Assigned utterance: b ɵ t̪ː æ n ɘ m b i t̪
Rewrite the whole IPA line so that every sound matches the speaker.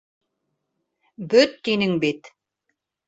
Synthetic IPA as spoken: b ɵ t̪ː i n ɘ ŋ b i t̪